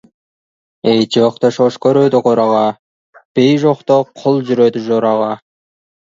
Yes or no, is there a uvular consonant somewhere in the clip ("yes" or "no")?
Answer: yes